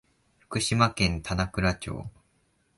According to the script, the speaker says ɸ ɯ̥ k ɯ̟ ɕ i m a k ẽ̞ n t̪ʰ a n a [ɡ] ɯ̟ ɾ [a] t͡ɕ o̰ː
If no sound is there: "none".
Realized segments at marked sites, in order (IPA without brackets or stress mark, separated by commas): k, a